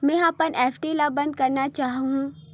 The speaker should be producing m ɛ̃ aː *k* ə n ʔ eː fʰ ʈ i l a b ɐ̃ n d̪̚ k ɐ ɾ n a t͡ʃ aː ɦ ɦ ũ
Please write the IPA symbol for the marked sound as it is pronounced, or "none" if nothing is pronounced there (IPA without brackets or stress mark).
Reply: p